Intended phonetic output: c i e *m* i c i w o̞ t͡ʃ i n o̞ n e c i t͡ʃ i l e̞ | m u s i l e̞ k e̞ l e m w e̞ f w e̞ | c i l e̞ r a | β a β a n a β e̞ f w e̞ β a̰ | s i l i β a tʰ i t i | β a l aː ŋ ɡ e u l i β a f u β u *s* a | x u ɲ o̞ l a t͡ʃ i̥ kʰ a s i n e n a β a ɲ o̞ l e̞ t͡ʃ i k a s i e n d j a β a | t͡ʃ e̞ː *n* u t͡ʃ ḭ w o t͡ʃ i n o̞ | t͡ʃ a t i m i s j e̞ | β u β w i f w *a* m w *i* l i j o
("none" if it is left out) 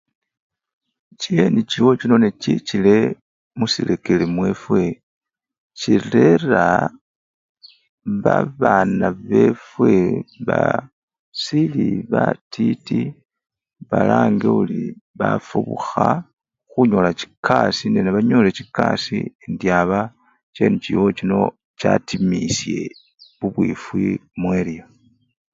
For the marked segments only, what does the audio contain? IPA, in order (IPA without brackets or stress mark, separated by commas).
n, x, n, i, e